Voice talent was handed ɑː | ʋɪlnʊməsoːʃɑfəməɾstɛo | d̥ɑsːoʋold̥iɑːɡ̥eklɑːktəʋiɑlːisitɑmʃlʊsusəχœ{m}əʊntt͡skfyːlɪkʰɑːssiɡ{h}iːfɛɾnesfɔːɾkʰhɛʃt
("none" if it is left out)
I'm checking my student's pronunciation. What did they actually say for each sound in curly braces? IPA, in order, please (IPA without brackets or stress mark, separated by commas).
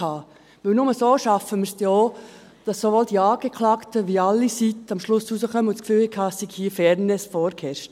m, h